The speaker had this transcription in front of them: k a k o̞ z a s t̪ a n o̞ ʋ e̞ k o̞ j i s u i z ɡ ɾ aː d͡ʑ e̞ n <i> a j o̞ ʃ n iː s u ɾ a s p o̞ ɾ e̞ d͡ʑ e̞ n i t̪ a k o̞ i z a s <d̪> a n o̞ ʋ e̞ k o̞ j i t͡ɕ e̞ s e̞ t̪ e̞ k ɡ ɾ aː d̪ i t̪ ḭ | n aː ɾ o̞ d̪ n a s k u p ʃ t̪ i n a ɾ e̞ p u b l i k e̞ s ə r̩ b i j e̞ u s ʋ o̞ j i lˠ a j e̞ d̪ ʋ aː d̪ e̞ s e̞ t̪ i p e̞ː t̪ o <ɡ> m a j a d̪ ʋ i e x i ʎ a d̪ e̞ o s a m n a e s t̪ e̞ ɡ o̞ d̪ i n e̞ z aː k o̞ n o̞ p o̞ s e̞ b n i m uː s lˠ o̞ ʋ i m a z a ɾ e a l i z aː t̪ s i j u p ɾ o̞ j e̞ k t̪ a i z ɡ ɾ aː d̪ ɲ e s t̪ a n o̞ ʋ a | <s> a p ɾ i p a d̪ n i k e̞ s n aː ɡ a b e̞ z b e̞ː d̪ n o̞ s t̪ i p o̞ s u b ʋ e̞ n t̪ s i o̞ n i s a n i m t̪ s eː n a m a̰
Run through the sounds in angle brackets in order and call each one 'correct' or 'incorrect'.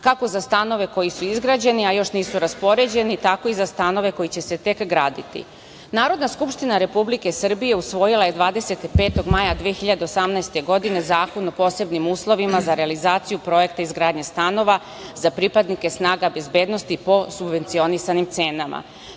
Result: correct, incorrect: t̪, correct, incorrect: z

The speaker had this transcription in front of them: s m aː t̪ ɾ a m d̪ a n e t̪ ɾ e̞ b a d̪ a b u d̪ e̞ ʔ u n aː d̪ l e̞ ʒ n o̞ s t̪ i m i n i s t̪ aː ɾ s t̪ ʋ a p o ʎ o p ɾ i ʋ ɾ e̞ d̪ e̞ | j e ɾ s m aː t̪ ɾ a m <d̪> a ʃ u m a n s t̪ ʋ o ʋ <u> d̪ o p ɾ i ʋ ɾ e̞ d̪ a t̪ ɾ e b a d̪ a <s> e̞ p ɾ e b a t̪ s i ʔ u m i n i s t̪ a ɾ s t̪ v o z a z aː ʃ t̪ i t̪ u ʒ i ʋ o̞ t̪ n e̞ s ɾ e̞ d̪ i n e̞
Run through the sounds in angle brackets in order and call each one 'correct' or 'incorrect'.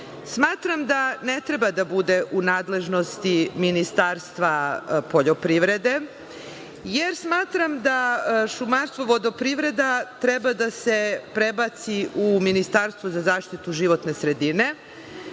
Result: correct, incorrect: o, correct

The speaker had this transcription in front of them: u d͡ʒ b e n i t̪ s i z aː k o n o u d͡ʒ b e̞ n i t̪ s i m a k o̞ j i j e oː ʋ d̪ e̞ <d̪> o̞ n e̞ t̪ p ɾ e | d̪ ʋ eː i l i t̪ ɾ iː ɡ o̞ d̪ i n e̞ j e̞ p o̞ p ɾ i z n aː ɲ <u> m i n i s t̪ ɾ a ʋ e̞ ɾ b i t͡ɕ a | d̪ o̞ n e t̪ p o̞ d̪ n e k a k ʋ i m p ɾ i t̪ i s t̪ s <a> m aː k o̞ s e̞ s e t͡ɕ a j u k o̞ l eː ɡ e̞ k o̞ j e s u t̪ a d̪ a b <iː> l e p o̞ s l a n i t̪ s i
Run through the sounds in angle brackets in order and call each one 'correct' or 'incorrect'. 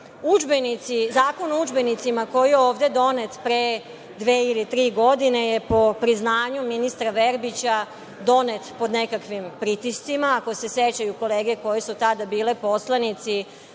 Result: correct, correct, incorrect: i, correct

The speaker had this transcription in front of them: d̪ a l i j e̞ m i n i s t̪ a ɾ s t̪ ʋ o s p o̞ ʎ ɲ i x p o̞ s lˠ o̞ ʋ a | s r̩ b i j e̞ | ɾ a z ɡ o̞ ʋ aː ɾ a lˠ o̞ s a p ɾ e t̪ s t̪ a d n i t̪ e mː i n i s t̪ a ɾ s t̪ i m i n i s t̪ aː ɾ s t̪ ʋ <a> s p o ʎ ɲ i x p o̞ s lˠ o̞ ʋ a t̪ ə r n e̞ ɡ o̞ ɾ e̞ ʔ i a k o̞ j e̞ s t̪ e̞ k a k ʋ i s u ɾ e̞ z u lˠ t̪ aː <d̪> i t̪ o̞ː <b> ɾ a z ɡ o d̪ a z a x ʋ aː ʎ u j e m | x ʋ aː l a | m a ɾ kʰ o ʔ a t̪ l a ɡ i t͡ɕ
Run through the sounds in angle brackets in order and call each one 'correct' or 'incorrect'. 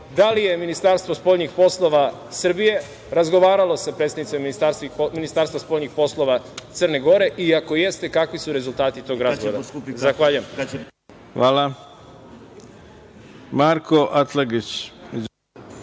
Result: correct, incorrect: t̪, incorrect: ɡ

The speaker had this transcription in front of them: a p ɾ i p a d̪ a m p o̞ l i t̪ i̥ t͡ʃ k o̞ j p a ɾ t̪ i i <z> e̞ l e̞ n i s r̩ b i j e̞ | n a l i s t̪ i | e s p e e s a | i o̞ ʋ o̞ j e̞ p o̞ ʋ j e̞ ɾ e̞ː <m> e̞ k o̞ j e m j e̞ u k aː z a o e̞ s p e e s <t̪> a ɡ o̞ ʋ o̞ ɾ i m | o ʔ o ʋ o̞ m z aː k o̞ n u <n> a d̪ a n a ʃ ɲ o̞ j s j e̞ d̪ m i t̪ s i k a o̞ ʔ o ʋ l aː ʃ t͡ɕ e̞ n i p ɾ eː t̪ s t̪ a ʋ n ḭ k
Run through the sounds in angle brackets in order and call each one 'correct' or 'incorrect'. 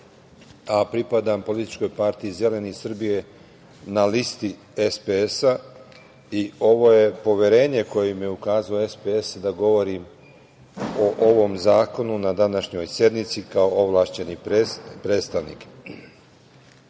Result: correct, incorrect: ɲ, incorrect: d̪, correct

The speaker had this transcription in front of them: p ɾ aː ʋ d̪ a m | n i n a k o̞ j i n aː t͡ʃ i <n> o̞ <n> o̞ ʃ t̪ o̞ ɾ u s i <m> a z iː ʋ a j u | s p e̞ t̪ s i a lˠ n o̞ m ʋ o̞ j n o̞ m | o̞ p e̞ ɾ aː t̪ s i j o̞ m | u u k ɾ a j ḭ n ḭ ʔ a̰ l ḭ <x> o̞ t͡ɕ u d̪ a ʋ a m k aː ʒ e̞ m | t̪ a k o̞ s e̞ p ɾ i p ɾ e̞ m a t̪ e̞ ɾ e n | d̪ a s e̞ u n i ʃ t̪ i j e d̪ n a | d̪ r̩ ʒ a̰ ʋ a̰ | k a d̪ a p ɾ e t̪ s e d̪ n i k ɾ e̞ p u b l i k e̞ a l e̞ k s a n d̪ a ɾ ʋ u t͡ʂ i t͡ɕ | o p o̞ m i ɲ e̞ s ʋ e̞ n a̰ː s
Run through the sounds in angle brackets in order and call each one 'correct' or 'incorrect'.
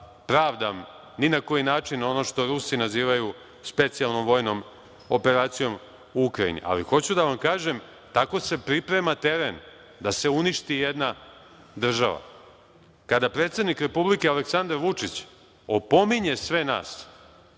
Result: correct, correct, incorrect: n, correct

